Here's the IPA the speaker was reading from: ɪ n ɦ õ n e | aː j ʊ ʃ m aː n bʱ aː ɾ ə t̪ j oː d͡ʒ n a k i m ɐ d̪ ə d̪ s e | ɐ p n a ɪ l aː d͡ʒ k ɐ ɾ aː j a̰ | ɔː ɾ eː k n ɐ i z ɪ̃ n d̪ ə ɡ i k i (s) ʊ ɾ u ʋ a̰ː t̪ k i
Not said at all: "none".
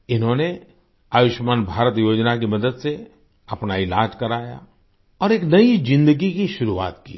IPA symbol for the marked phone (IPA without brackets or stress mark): ʃ